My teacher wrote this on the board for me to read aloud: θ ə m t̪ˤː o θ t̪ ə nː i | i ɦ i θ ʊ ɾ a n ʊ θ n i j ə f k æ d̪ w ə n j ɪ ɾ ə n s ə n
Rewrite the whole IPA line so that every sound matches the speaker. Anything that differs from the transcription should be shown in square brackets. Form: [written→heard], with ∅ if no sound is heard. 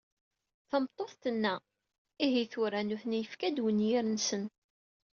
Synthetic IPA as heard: θ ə m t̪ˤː o θ t̪ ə nː [i→æ] | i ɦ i θ ʊ ɾ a n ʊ θ n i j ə f k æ d̪ w ə n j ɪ ɾ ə n s ə n